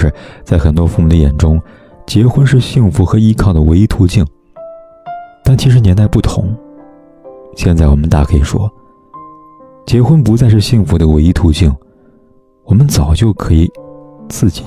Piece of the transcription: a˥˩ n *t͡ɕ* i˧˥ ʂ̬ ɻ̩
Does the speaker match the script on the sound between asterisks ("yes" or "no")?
no